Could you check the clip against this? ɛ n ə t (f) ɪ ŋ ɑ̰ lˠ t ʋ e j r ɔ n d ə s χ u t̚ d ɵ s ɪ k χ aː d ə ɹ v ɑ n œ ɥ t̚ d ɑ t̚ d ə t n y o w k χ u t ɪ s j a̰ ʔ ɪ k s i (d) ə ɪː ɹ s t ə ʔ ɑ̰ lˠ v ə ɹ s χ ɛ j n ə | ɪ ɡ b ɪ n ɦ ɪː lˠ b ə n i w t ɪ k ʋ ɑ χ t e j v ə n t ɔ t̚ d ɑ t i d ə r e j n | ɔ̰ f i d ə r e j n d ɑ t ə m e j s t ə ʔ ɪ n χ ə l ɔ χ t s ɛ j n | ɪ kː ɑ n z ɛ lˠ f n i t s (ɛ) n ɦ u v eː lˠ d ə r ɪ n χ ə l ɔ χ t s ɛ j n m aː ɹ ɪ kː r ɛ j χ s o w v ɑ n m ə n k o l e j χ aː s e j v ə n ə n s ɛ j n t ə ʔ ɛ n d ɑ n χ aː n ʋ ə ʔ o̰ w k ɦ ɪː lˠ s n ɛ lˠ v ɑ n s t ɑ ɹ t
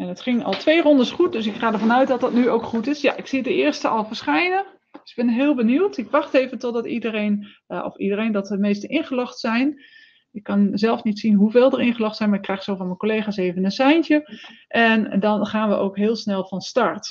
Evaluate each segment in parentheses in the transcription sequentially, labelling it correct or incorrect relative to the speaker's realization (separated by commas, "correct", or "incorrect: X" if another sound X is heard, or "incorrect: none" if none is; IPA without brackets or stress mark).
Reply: incorrect: χ, correct, incorrect: i